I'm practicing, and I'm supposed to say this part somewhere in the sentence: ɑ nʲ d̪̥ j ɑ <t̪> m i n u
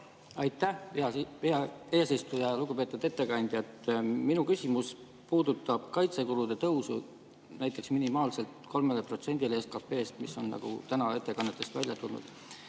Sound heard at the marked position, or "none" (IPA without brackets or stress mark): t̪